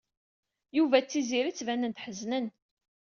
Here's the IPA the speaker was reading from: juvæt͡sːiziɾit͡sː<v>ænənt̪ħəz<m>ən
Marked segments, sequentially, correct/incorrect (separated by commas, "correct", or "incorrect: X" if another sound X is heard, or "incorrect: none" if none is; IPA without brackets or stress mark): correct, incorrect: n